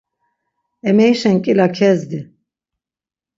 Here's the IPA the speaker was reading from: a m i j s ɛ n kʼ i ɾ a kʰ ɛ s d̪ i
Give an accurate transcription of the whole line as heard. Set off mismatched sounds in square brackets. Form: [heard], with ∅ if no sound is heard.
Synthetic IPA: [ɛ] m [ɛ] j [ʃ] ɛ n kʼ i [l] a kʰ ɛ [z] d̪ i